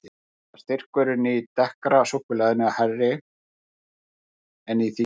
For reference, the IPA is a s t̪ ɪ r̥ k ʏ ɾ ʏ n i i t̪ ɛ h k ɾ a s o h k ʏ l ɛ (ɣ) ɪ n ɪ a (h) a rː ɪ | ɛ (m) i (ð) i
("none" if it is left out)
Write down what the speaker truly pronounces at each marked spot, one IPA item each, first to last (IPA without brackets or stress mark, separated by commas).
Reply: ð, h, n, θ